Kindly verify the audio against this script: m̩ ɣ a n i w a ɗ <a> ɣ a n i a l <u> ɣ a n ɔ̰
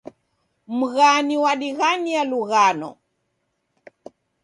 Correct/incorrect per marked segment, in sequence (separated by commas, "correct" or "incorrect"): incorrect, correct